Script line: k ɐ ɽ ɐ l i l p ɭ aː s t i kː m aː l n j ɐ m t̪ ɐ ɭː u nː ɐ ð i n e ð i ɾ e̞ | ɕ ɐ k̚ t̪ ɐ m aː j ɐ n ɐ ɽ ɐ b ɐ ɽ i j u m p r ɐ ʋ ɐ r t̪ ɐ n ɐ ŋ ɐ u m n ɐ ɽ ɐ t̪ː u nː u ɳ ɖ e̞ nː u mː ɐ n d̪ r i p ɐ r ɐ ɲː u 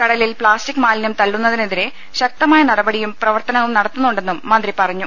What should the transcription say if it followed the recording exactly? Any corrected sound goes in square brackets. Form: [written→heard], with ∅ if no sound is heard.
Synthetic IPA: k ɐ ɽ ɐ l i l p ɭ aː s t i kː m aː l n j ɐ m t̪ ɐ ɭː u nː ɐ ð i n e ð i ɾ e̞ | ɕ ɐ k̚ t̪ ɐ m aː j ɐ n ɐ ɽ ɐ b ɐ ɽ i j u m p r ɐ ʋ ɐ r t̪ ɐ n ɐ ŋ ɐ u m n ɐ ɽ ɐ t̪ː u nː u ɳ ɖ e̞ nː u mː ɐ n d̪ r i p ɐ r ɐ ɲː u